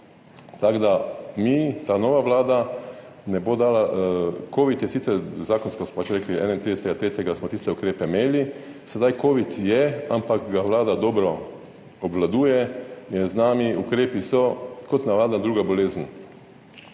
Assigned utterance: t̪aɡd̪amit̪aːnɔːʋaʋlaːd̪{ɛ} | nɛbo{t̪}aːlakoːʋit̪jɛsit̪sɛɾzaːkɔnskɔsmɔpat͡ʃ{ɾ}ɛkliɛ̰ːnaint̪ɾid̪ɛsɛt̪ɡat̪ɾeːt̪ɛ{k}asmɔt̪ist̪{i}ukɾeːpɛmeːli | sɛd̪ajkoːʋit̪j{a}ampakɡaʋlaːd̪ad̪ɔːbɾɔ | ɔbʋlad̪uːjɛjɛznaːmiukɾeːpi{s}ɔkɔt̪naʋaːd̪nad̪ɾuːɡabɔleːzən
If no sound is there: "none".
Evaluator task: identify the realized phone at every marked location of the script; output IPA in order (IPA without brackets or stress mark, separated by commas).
a, d̪, ɾ, ɡ, ɛ, ɛ, s